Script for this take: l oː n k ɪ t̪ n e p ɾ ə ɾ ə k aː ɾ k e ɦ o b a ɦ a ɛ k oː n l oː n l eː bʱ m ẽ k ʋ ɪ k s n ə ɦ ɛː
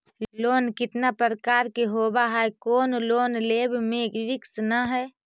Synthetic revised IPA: l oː n k ɪ t̪ n a p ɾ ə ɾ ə k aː ɾ k e ɦ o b a ɦ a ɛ k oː n l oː n l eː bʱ m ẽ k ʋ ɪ k s n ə ɦ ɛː

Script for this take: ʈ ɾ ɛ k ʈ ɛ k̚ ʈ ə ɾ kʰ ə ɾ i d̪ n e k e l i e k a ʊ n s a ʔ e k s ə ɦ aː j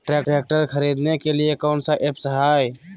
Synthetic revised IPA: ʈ ɾ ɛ k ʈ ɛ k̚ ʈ ə ɾ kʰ ə ɾ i d̪ n e k e l i e k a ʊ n s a ʔ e p s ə ɦ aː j

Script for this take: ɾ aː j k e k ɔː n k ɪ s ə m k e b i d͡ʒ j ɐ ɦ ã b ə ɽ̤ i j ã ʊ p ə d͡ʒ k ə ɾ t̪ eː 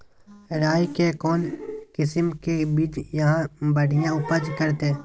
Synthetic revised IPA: ɾ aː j k e k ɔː n k ɪ s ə m k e b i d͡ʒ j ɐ ɦ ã b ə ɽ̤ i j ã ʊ p ə d͡ʒ k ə ɾ t̪ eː

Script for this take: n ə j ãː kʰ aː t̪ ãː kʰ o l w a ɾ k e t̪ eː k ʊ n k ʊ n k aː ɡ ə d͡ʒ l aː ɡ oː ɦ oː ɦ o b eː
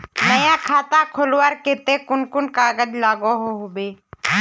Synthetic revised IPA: n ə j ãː kʰ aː t̪ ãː kʰ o l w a ɾ k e t̪ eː k ʊ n k ʊ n k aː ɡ ə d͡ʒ l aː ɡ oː ɦ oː ɦ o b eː

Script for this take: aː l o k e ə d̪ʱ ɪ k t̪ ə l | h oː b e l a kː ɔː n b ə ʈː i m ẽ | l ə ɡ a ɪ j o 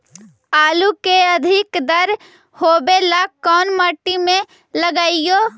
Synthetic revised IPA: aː l u k e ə d̪ʱ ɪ k d̪ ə ɾ | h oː b e l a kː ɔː n m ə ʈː i m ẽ | l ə ɡ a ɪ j o

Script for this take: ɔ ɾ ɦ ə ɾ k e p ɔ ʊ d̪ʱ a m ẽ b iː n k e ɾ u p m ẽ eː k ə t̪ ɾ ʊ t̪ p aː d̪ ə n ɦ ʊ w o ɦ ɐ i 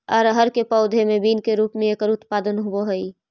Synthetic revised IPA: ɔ ɾ ɦ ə ɾ k e p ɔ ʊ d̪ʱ e m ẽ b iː n k e ɾ uː p m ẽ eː k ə ɾ ʊ t̪ p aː d̪ ə n ɦ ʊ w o ɦ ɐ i

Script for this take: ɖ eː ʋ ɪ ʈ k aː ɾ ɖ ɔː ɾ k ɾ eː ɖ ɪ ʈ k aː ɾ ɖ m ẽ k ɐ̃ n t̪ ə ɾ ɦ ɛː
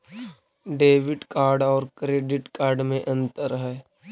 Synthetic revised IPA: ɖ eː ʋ ɪ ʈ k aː ɾ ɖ ɔː ɾ k ɾ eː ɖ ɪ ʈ k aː ɾ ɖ m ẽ ʔ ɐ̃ n t̪ ə ɾ ɦ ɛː

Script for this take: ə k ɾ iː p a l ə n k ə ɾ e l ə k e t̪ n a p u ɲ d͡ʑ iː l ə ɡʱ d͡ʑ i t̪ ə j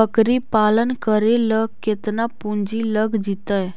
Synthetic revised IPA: ə k ɾ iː p a l ə n k ə ɾ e l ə k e t̪ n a p u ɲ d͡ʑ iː l ə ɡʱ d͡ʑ i t̪ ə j

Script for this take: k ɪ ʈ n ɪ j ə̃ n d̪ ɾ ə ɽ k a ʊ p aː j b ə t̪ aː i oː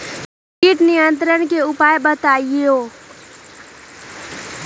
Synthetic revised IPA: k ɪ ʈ n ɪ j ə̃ n t̪ ɾ ə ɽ k e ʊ p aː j b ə t̪ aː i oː

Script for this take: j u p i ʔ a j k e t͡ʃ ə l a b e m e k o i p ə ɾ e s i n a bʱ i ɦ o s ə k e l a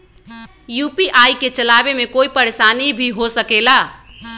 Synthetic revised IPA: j u p i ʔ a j k e t͡ʃ ə l a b e m e k o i p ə ɾ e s a n i bʱ i ɦ o s ə k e l a

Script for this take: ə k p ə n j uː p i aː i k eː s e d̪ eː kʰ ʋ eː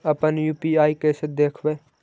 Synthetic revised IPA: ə p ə n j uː p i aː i k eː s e d̪ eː kʰ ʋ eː

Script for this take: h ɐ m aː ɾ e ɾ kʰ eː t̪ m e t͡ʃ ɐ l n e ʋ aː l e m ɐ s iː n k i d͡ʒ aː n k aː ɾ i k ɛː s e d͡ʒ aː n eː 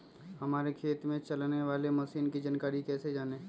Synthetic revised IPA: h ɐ m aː ɾ e kʰ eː t̪ m ẽ t͡ʃ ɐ l n e ʋ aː l e m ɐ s iː n k i d͡ʒ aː n k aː ɾ i k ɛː s e d͡ʒ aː n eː

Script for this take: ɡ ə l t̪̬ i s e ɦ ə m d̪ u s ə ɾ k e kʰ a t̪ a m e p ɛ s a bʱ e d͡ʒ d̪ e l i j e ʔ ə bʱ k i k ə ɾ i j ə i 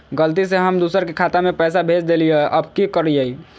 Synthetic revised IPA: ɡ ə l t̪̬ i s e ɦ ə m d̪ u s ə ɾ k e kʰ a t̪ a m e p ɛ s a bʱ e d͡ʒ d̪ e l i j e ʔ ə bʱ k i k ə ɾ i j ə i

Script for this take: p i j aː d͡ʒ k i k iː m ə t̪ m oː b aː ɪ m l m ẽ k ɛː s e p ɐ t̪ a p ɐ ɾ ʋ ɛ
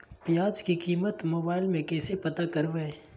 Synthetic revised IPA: p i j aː d͡ʒ k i k iː m ə t̪ m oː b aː ɪ l m ẽ k ɛː s e p ɐ t̪ a k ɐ ɾ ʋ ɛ

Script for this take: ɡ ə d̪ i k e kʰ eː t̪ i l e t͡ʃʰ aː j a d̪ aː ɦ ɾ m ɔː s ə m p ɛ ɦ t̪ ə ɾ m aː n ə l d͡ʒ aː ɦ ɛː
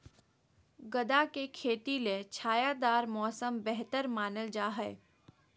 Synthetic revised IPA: ɡ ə d̪ a k e kʰ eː t̪ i l e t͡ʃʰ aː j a d̪ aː ɾ m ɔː s ə m b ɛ ɦ t̪ ə ɾ m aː n ə l d͡ʒ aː ɦ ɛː

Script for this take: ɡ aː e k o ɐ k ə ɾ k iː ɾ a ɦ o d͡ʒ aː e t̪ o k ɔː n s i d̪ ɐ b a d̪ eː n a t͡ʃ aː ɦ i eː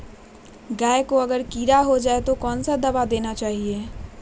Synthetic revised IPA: ɡ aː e k o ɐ ɡ ə ɾ k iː ɾ a ɦ o d͡ʒ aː e t̪ o k ɔː n s a d̪ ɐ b a d̪ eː n a t͡ʃ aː ɦ i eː

